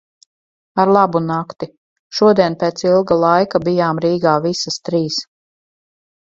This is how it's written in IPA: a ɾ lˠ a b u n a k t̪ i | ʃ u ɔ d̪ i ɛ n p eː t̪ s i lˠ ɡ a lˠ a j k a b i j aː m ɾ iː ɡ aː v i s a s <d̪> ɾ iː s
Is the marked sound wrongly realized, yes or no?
yes